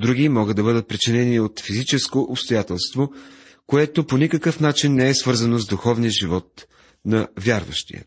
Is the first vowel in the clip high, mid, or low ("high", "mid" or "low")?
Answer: high